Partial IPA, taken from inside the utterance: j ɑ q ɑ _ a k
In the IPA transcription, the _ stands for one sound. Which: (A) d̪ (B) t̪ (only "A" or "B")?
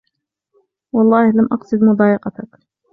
B